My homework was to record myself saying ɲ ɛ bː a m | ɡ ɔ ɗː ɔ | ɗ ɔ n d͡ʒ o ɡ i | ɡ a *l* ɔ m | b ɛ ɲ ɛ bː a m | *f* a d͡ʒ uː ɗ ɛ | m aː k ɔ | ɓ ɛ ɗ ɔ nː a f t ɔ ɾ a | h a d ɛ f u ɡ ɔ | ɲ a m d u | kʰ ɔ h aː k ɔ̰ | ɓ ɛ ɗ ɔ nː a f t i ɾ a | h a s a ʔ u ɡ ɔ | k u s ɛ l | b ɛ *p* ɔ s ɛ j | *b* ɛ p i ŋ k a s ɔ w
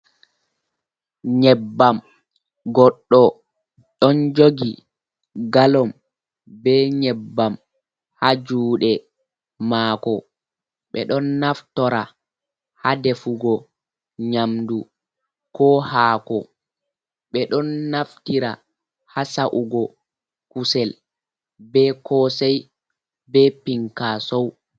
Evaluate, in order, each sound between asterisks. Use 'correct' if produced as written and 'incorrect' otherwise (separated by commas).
correct, incorrect, incorrect, correct